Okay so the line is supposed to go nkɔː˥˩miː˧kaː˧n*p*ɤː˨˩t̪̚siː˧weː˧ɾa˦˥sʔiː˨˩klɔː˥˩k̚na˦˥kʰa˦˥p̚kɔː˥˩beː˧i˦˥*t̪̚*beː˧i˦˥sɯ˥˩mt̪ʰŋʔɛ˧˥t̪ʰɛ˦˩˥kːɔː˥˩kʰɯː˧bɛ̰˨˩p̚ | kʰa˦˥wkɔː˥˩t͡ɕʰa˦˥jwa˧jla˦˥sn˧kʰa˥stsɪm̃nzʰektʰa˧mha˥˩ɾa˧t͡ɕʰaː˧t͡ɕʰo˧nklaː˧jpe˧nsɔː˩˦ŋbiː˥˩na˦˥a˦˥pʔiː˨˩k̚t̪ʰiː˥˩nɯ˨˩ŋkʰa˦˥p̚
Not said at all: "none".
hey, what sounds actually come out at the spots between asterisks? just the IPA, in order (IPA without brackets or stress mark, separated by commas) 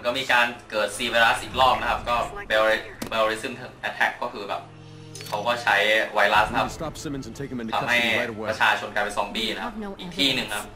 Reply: k, none